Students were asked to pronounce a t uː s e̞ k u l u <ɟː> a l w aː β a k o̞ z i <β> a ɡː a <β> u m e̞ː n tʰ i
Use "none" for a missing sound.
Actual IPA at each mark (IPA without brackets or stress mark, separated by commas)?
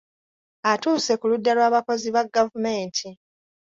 dː, β, v